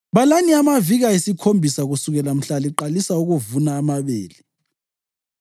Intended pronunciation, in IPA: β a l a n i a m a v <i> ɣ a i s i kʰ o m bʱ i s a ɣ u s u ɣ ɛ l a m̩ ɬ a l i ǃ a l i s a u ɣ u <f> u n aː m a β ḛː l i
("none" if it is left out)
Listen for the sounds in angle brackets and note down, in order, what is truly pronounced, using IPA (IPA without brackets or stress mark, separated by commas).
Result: i, v